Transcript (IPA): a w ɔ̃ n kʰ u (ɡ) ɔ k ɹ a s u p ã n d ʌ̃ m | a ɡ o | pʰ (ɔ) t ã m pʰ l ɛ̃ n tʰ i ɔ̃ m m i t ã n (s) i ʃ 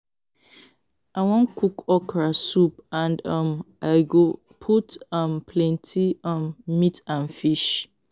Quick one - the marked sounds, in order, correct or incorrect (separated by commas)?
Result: incorrect, incorrect, incorrect